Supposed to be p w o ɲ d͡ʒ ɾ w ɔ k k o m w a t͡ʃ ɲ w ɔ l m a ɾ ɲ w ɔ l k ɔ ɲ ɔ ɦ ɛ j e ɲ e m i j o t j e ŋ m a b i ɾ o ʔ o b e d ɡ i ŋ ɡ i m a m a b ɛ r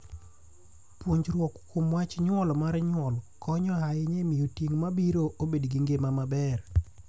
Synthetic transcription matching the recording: p w o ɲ d͡ʒ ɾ w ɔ k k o m w a t͡ʃ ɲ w ɔ l m a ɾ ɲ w ɔ l k ɔ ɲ ɔ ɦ a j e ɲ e m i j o t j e ŋ m a b i ɾ o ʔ o b e d ɡ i ŋ ɡ e m a m a b ɛ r